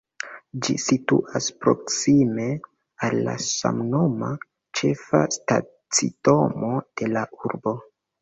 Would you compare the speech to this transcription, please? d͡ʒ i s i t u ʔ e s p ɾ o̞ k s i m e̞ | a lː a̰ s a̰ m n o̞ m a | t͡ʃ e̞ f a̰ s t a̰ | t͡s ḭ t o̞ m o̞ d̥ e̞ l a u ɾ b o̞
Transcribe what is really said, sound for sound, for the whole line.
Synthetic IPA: d͡ʒ i s i t u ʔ a s p ɾ o̞ k s i m e̞ | a lː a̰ s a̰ m n o̞ m a | t͡ʃ e̞ f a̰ s t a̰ | t͡s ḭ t o̞ m o̞ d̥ e̞ l a u ɾ b o̞